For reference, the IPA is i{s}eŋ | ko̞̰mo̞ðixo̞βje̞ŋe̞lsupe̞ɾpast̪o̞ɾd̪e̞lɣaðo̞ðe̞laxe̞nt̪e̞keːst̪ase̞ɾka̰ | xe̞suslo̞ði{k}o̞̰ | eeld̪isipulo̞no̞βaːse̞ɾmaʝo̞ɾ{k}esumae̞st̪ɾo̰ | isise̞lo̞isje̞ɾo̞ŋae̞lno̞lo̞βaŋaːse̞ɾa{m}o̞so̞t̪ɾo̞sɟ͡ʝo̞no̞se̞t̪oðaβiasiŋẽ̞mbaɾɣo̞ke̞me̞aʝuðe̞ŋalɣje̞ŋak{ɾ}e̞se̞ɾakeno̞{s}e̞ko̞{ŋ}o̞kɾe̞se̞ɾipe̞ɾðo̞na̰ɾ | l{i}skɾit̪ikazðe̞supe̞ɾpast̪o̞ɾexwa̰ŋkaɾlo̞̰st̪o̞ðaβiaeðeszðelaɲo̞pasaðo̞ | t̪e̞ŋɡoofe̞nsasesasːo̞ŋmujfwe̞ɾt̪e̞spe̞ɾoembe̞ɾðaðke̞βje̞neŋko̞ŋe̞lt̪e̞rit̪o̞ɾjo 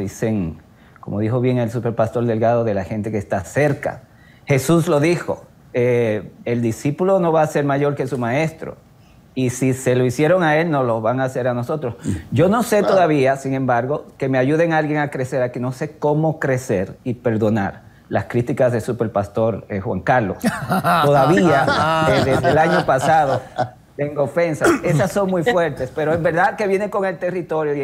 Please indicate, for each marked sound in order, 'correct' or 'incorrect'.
correct, incorrect: x, correct, incorrect: n, correct, correct, incorrect: m, incorrect: a

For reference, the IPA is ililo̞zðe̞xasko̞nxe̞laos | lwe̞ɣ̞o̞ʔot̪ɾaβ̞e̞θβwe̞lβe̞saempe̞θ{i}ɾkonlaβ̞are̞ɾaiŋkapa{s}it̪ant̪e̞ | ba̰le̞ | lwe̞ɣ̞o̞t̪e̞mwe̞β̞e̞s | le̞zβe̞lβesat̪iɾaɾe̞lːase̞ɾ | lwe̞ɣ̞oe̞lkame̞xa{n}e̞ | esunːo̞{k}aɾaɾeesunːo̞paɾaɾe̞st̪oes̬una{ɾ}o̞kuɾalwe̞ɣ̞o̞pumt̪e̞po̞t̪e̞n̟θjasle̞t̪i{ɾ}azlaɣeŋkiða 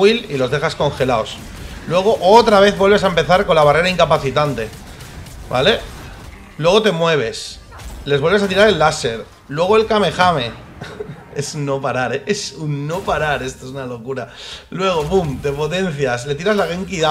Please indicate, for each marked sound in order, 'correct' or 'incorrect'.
incorrect: a, incorrect: θ, incorrect: m, incorrect: p, incorrect: l, correct

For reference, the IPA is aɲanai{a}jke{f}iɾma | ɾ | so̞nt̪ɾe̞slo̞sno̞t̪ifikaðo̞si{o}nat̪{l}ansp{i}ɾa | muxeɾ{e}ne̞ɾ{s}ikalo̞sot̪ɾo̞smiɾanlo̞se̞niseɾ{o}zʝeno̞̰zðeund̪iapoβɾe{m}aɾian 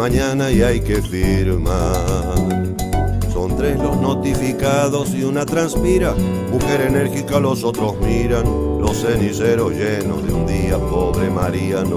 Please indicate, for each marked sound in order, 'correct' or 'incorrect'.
correct, correct, incorrect: u, incorrect: ɾ, correct, correct, incorrect: x, correct, correct

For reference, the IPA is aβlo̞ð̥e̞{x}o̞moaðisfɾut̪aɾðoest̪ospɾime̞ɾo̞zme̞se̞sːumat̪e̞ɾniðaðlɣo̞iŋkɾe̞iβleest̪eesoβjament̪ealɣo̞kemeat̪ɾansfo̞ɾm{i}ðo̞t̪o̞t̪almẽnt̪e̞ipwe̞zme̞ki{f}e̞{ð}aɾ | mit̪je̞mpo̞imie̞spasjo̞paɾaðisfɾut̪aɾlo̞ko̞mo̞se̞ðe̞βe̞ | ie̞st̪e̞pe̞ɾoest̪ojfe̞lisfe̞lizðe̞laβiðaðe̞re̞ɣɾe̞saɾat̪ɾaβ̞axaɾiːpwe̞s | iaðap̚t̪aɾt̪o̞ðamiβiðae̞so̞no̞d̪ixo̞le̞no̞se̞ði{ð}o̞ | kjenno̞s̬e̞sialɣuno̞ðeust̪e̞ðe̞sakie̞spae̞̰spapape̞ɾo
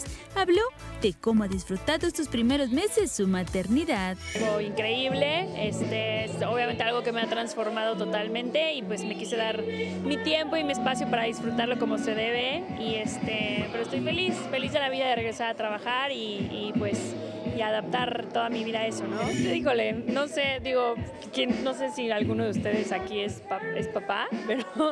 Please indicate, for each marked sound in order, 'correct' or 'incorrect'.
incorrect: k, incorrect: a, incorrect: s, correct, incorrect: ɣ

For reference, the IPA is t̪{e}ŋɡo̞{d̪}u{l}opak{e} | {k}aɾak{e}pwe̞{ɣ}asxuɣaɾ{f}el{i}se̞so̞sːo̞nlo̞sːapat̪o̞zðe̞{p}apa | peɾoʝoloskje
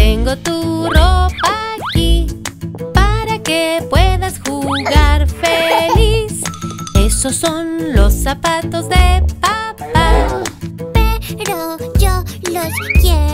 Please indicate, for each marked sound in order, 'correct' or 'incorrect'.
correct, incorrect: t̪, incorrect: r, incorrect: i, incorrect: p, correct, incorrect: ð, correct, correct, correct

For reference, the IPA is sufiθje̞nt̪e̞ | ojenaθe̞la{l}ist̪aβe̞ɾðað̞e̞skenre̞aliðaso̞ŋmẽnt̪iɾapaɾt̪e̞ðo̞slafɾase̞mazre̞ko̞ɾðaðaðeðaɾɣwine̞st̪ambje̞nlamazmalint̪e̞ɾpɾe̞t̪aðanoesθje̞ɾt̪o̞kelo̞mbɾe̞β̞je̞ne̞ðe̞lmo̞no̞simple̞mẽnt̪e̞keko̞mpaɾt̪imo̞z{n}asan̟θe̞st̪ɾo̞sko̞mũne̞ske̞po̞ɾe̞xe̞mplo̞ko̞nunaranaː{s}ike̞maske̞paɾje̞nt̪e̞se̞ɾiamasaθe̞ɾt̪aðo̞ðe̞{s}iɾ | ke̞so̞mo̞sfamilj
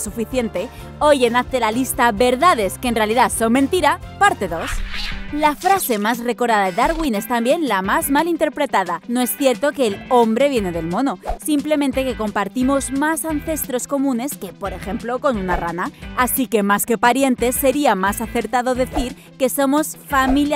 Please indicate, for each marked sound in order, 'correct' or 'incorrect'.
correct, incorrect: m, correct, incorrect: θ

